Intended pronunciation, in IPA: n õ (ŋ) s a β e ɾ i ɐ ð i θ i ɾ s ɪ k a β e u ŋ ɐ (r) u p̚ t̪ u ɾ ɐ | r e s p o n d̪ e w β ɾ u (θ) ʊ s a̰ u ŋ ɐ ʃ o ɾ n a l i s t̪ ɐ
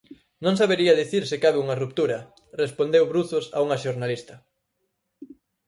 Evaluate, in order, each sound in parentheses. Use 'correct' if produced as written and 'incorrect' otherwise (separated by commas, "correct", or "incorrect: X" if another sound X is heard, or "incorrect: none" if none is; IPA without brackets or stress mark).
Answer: correct, correct, correct